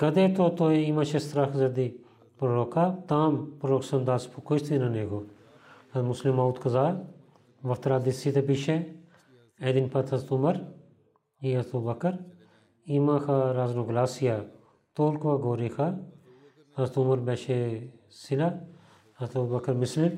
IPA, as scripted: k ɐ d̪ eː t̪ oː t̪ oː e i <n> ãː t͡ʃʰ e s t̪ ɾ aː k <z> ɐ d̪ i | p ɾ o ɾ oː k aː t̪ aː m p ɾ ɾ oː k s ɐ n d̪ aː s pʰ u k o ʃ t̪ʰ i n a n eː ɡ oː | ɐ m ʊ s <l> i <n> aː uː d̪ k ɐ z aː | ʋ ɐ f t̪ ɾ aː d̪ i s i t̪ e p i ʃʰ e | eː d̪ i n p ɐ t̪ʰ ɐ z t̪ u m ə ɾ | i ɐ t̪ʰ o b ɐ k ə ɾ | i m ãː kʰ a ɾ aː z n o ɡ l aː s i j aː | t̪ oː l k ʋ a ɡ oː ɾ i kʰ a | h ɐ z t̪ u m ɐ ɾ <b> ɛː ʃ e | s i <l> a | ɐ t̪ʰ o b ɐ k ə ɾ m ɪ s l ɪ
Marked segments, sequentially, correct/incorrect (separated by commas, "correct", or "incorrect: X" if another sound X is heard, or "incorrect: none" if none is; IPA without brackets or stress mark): incorrect: m, correct, correct, incorrect: m, correct, correct